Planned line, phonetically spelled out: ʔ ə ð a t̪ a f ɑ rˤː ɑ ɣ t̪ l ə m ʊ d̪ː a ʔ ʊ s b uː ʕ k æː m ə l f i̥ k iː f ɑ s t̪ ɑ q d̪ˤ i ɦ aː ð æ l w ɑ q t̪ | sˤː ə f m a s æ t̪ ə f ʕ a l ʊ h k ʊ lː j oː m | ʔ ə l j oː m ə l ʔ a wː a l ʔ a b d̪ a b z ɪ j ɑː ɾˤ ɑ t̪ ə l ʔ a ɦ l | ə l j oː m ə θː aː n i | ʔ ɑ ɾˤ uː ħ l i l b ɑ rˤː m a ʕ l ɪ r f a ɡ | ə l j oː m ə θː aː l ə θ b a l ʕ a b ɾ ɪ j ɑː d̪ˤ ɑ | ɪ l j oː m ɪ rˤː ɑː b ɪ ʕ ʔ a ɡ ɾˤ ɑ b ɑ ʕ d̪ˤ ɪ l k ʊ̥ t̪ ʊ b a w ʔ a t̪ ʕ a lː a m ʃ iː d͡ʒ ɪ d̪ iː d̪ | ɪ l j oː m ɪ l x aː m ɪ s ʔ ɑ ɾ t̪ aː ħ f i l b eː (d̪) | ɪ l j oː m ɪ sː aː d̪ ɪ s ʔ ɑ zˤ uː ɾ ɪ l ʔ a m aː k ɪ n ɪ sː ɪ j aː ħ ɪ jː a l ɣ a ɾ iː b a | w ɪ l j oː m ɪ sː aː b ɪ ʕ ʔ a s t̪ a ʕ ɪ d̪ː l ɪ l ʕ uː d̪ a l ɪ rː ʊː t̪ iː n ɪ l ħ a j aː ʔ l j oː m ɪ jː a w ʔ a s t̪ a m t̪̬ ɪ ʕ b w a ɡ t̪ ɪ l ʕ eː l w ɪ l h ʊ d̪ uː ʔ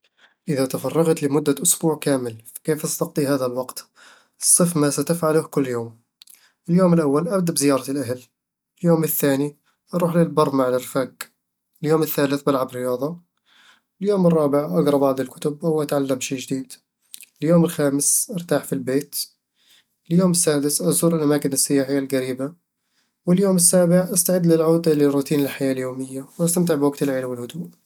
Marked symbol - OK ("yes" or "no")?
no